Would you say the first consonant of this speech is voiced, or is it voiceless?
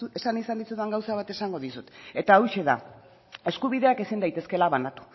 voiceless